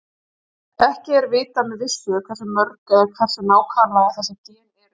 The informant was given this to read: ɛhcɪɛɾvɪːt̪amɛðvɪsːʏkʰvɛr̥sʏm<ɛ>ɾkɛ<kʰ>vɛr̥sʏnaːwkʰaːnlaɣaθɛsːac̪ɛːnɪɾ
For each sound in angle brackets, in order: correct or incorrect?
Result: incorrect: œ, correct

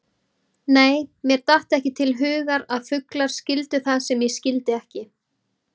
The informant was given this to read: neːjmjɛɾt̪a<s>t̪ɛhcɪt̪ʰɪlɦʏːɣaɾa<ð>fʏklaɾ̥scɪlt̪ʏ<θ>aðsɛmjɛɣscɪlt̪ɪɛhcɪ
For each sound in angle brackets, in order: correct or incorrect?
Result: incorrect: h, correct, correct

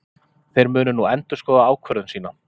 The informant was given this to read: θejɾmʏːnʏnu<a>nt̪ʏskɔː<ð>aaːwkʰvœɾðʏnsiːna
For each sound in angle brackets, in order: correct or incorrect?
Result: incorrect: ɛ, correct

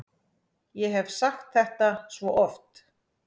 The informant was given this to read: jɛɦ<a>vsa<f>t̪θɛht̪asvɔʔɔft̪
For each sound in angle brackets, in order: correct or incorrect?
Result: incorrect: ɛ, incorrect: x

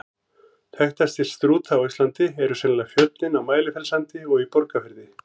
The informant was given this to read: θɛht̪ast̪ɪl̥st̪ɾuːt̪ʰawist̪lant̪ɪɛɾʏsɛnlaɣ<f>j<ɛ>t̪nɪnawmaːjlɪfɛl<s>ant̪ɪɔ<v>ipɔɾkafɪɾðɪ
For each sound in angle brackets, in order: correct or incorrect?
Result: correct, incorrect: œ, correct, incorrect: ɣ

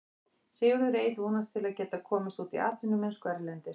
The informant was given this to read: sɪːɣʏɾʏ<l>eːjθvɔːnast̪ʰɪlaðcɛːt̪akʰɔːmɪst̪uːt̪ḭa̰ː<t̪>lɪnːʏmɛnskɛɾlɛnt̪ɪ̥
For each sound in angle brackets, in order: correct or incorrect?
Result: incorrect: ɾ, correct

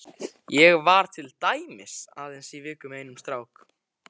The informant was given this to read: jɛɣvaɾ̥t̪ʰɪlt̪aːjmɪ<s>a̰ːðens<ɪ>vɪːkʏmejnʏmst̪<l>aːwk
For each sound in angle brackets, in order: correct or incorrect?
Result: correct, incorrect: i, incorrect: ɾ

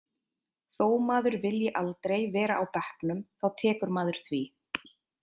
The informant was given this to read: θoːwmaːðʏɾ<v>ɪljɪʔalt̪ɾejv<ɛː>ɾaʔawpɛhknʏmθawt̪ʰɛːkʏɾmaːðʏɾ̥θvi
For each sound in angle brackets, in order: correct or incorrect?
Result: correct, correct

